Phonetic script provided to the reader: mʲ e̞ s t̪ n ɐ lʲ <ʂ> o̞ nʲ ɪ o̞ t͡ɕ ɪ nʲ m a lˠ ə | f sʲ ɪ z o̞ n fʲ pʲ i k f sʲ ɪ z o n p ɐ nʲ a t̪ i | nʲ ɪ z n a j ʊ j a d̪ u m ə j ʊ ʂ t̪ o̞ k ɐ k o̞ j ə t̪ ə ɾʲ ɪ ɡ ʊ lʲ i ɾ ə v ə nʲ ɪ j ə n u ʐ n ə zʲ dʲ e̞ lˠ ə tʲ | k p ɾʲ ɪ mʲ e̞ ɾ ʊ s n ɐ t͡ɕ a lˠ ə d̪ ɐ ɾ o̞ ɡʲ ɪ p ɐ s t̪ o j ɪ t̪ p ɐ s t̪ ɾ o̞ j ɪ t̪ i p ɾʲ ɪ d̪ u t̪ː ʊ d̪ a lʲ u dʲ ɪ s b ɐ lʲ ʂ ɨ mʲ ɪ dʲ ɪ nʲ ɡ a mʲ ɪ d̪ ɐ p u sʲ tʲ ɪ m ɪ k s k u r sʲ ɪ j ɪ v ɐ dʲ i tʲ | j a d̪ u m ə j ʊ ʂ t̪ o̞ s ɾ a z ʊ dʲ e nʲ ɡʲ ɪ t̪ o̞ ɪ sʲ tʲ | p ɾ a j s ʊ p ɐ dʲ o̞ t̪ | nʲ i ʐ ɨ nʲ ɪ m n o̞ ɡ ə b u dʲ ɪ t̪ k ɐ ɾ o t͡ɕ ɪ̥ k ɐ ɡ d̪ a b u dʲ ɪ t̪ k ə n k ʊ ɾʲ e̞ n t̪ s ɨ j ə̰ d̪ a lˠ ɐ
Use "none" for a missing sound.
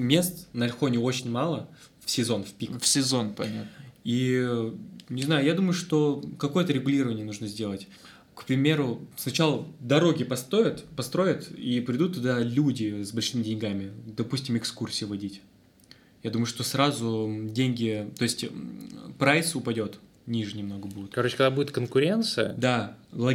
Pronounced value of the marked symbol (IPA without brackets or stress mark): x